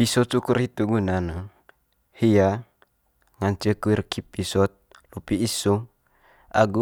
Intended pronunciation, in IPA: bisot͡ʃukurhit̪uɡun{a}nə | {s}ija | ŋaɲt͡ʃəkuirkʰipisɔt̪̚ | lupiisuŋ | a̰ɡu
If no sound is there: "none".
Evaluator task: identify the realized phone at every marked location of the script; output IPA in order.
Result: a, h

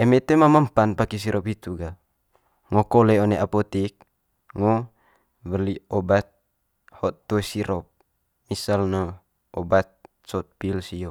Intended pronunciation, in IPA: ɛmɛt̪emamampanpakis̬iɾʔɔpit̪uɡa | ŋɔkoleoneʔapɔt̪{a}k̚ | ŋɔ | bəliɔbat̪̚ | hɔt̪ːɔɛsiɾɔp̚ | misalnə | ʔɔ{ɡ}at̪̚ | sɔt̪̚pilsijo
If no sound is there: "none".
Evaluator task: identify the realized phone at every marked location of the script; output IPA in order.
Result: i, b

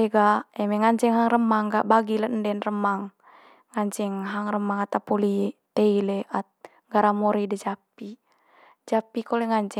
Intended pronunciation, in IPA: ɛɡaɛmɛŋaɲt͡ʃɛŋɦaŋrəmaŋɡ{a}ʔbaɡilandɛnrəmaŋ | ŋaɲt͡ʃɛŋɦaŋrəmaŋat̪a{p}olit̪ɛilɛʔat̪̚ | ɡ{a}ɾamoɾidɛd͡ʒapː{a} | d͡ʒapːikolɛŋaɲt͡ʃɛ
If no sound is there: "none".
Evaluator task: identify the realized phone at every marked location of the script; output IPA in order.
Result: a, p, a, i

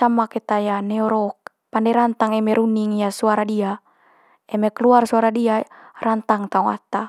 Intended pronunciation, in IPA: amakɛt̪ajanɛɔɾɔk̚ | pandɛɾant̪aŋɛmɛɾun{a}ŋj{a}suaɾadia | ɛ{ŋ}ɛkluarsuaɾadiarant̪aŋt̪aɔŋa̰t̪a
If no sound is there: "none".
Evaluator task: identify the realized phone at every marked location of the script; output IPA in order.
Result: i, a, m

